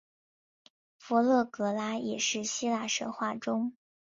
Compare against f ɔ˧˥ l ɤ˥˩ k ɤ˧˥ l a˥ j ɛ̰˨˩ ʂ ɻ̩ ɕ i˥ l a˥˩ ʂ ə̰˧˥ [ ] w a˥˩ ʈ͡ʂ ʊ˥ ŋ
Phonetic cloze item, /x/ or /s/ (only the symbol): x